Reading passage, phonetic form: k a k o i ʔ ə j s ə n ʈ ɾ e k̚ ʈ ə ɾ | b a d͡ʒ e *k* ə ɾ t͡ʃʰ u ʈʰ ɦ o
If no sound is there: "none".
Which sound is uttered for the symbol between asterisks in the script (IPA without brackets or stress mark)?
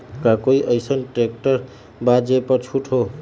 p